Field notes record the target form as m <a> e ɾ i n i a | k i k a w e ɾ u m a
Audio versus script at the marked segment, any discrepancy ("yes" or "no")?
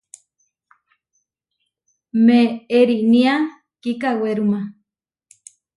yes